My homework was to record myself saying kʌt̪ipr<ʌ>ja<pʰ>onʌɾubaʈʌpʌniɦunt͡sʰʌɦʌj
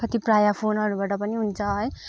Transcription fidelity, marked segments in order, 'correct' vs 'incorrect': incorrect: a, correct

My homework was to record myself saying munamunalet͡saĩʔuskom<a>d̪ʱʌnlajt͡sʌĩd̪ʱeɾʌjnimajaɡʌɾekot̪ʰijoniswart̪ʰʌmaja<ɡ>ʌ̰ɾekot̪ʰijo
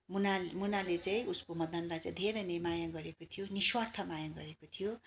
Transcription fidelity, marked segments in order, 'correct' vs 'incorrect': incorrect: ʌ, correct

